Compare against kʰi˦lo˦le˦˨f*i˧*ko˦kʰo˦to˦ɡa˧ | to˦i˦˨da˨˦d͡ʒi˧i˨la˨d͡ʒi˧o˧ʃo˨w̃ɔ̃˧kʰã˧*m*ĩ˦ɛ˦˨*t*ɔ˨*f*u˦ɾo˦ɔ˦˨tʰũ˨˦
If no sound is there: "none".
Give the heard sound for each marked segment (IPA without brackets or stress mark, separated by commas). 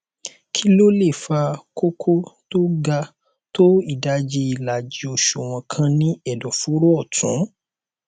a˧, n, d, f